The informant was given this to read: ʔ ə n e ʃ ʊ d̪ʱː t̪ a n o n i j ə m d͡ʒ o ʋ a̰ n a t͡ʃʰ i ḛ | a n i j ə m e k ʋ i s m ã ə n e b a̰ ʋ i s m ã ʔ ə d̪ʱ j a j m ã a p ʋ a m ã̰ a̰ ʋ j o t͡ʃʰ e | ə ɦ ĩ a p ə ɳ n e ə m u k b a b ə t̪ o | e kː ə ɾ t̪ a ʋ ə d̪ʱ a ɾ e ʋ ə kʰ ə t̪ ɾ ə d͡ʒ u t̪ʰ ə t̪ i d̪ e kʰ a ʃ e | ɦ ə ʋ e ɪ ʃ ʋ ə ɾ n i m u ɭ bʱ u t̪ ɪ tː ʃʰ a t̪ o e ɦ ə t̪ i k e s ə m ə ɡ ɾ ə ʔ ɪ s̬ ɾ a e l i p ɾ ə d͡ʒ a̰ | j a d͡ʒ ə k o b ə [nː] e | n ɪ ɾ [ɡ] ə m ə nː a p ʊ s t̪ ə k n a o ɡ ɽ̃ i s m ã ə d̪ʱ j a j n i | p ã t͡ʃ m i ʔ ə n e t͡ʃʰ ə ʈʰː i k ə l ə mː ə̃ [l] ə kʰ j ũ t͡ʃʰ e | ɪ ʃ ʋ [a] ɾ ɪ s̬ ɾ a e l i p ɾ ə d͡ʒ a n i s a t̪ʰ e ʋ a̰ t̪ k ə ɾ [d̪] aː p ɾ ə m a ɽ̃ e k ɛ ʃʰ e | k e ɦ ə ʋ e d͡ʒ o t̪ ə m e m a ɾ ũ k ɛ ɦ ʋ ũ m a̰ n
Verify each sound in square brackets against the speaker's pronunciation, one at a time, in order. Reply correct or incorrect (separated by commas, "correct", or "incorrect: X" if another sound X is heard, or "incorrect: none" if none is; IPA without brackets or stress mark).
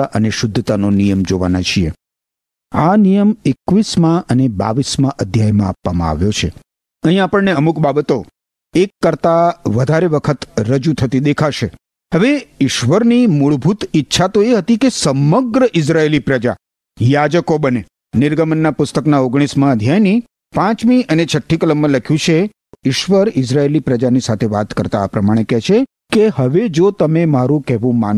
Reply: incorrect: n, correct, correct, incorrect: ə, incorrect: t̪